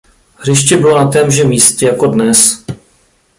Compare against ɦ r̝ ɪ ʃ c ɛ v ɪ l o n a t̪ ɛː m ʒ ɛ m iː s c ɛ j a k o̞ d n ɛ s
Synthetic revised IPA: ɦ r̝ ɪ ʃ c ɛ b ɪ l o n a t̪ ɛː m ʒ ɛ m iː s c ɛ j a k o̞ d n ɛ s